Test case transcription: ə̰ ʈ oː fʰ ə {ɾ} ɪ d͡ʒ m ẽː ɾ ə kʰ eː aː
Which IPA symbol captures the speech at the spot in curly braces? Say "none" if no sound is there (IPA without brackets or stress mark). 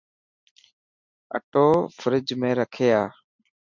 ɾ